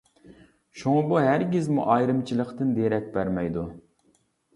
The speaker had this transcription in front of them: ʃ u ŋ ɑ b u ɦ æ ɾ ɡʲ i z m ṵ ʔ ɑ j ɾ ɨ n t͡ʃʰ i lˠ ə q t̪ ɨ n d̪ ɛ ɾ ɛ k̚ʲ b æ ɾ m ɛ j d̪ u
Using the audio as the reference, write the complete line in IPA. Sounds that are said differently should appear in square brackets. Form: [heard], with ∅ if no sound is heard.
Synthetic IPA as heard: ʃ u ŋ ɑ b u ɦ æ ɾ ɡʲ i z m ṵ ʔ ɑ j ɾ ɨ [m] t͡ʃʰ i lˠ ə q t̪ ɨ n d̪ [e] ɾ ɛ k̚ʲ b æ ɾ m ɛ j d̪ u

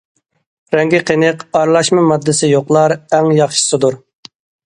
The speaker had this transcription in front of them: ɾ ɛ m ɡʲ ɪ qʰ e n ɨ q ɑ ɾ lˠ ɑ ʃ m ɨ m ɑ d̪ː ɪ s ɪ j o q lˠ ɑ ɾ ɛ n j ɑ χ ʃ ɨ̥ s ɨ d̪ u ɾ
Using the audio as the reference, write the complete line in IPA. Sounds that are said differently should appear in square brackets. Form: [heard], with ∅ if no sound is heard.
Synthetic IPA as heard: ɾ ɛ [ŋ] ɡʲ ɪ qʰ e n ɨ q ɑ ɾ lˠ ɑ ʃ m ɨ m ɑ d̪ː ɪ s ɪ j o q lˠ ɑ ɾ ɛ [ŋ] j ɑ χ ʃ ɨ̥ s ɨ d̪ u ɾ

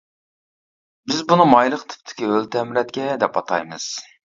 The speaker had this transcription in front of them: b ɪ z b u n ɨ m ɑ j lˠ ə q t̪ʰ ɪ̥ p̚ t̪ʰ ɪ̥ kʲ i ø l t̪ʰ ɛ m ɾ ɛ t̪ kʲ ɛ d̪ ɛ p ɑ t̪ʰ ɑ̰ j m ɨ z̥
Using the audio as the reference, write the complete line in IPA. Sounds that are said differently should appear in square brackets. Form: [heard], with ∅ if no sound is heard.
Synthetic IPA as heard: b ɪ z b u n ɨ m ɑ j lˠ ə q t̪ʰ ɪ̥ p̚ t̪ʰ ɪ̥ kʲ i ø l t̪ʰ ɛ m ɾ ɛ t̪ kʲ ɛ d̪ ɛ p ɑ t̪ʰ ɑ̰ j m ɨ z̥

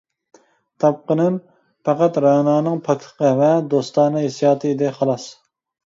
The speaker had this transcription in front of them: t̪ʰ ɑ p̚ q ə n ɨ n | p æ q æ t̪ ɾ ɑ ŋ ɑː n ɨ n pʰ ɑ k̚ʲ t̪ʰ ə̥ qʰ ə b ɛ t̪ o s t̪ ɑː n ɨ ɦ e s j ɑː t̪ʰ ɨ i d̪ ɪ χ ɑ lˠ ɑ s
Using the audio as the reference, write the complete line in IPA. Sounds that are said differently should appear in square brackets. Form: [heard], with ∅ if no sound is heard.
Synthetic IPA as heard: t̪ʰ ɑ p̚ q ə n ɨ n | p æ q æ t̪ ɾ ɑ [n] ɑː n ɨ [ŋ] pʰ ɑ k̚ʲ t̪ʰ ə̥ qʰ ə [v] ɛ [d̪] o s t̪ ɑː n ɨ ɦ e s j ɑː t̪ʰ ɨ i d̪ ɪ χ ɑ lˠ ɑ s

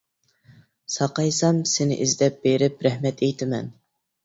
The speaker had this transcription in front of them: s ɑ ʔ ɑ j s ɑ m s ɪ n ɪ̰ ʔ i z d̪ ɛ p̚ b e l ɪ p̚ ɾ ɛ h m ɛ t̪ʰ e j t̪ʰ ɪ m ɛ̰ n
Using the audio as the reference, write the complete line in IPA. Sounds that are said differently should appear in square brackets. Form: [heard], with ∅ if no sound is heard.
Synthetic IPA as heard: s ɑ [q] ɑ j s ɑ m s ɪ n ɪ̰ ʔ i z d̪ ɛ p̚ b e [ɾ] ɪ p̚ ɾ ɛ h m ɛ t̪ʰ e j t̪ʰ ɪ m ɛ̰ n

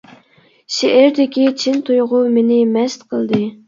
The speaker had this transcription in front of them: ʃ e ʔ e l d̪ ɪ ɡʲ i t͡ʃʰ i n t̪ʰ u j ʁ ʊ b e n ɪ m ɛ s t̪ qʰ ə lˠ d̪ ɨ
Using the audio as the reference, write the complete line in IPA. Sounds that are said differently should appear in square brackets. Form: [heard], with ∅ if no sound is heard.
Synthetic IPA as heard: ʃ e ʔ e [ɾ] d̪ ɪ [kʲ] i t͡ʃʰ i n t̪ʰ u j ʁ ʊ [m] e n ɪ m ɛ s t̪ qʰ ə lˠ d̪ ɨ

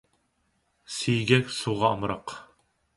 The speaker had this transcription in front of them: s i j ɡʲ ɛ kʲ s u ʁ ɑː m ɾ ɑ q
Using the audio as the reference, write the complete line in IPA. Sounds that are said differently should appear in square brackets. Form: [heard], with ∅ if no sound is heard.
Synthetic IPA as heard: s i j ɡʲ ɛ kʲ s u ʁ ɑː m ɾ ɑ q

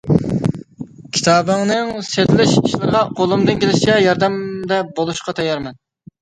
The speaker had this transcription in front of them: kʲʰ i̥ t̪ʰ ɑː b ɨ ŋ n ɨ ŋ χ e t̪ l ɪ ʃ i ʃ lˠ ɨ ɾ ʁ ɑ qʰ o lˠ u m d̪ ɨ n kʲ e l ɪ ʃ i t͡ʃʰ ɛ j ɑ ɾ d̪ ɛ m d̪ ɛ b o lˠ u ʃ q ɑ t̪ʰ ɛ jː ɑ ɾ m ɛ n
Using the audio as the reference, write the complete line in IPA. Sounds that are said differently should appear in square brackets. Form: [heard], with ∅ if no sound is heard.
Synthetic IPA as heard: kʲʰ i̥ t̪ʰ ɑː b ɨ ŋ n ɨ ŋ [s] e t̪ l ɪ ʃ i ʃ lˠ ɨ ɾ ʁ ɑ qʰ o lˠ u m d̪ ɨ n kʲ e l ɪ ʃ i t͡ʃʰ ɛ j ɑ ɾ d̪ ɛ m d̪ ɛ b o lˠ u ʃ q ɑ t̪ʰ ɛ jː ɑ ɾ m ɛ n

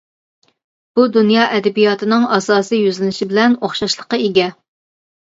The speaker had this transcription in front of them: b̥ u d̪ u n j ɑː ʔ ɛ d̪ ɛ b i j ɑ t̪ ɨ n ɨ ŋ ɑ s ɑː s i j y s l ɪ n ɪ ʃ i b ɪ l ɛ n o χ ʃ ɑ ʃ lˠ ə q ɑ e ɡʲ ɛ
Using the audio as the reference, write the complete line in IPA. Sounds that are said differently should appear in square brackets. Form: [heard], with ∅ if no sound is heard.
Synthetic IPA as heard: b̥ u d̪ u n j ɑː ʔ ɛ d̪ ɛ b i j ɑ t̪ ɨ n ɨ ŋ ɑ s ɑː s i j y [z] l ɪ n ɪ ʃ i b ɪ l ɛ n o χ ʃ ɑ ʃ lˠ ə q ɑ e ɡʲ ɛ

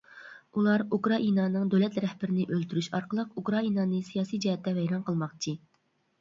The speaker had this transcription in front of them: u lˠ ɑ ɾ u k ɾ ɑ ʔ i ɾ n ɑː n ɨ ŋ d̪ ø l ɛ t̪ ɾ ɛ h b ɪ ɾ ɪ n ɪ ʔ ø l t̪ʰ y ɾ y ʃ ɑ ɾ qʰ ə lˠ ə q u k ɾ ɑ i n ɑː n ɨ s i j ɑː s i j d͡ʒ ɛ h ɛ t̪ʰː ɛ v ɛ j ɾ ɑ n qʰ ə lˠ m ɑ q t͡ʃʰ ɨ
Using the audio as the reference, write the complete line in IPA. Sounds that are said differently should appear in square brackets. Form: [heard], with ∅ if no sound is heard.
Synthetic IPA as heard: u lˠ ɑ ɾ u k ɾ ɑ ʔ i [∅] n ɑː n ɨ ŋ d̪ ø l ɛ t̪ ɾ ɛ h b ɪ ɾ ɪ n ɪ ʔ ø l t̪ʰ y ɾ y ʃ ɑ ɾ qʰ ə lˠ ə q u k ɾ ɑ i n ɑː n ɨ s i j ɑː s i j d͡ʒ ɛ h ɛ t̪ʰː ɛ v ɛ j ɾ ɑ n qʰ ə lˠ m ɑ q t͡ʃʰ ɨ

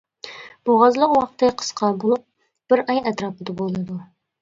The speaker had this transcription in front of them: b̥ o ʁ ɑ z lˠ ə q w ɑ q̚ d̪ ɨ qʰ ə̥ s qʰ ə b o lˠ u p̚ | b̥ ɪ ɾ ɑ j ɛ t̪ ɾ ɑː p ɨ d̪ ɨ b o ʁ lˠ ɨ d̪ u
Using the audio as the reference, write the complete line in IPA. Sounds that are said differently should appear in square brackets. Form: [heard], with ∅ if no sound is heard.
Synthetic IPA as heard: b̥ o ʁ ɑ z lˠ ə q w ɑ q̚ [t̪] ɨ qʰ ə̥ s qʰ [ɑ] b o lˠ u p̚ | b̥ ɪ ɾ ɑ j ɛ t̪ ɾ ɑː p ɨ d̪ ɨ b o [∅] lˠ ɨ d̪ u

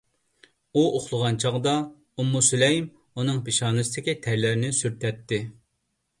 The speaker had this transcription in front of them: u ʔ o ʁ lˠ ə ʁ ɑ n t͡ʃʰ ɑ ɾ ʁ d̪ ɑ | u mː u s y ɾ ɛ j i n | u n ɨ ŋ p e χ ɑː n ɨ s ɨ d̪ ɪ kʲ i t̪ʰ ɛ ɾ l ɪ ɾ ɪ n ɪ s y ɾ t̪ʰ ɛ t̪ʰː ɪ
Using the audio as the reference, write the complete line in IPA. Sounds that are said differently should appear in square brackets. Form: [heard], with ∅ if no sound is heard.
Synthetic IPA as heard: u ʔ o [χ] lˠ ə ʁ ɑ n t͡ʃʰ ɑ [∅] ʁ d̪ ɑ | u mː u s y [l] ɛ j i [m] | u n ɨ ŋ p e [ʃ] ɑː n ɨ s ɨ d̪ ɪ kʲ i t̪ʰ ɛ ɾ l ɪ ɾ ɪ n ɪ s y ɾ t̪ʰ ɛ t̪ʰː ɪ

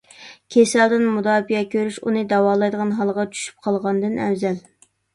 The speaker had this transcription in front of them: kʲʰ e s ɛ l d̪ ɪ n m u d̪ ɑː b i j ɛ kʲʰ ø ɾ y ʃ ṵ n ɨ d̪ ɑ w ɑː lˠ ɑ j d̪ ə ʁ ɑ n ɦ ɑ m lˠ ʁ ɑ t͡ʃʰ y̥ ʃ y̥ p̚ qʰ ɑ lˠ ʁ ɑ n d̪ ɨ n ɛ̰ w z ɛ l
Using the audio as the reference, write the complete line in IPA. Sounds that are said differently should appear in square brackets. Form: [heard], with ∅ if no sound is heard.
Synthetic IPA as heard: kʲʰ e s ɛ l d̪ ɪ n m u d̪ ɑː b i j ɛ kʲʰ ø ɾ y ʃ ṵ n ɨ d̪ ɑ w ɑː lˠ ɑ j d̪ ə ʁ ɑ n ɦ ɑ [∅] lˠ ʁ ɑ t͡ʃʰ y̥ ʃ y̥ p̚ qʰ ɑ lˠ ʁ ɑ n d̪ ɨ n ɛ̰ w z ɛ l

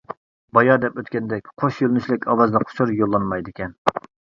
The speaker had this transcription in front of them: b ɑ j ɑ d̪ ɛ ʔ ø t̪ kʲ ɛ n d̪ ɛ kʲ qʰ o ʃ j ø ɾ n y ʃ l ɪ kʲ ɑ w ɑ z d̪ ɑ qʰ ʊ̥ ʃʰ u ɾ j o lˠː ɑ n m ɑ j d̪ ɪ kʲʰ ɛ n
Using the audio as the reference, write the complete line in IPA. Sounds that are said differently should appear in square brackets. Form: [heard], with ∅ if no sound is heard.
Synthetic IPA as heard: b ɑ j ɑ d̪ ɛ [p] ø t̪ kʲ ɛ n d̪ ɛ kʲ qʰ o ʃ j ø [l] n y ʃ l ɪ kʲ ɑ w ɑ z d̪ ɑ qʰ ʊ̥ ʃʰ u ɾ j o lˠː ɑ n m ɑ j d̪ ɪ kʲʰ ɛ n

